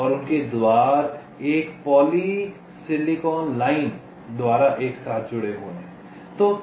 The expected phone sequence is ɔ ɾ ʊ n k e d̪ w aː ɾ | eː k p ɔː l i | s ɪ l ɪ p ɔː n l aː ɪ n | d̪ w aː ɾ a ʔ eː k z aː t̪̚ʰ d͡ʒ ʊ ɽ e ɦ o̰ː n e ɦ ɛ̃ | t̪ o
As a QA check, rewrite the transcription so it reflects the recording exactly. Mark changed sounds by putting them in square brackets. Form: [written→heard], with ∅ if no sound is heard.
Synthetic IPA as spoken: ɔ ɾ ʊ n k e d̪ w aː ɾ | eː k p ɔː l i | s ɪ l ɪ [p→k] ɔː n l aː ɪ n | d̪ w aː ɾ a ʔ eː k [z→s] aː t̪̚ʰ d͡ʒ ʊ ɽ e ɦ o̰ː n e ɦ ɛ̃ | t̪ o